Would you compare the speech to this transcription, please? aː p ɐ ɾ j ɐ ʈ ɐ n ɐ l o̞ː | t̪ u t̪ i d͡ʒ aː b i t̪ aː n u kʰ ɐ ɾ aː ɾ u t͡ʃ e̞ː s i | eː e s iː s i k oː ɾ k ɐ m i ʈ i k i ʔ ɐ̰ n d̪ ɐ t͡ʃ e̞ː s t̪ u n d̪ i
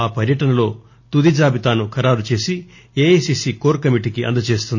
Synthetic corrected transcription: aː p ɐ ɾ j ɐ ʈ ɐ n ɐ l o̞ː | t̪ u d̪ i d͡ʒ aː b i t̪ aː n u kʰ ɐ ɾ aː ɾ u t͡ʃ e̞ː s i | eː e s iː s i k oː ɾ k ɐ m i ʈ i k i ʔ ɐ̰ n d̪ ɐ t͡ʃ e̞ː s t̪ u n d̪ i